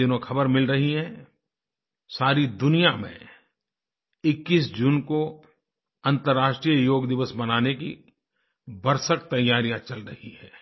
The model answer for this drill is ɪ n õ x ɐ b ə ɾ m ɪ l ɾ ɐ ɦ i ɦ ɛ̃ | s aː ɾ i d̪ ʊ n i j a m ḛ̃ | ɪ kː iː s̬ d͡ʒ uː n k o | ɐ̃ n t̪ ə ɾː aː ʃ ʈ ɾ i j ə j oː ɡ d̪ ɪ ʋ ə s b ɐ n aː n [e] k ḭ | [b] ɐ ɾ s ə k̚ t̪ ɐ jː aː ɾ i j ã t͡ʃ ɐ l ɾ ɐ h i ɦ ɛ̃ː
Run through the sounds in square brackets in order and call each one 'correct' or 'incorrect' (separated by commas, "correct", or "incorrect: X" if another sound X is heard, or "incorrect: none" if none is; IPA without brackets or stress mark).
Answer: correct, correct